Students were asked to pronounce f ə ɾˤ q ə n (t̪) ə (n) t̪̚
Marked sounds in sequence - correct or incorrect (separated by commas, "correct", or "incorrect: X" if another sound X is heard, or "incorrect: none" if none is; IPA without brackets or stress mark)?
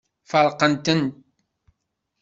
correct, correct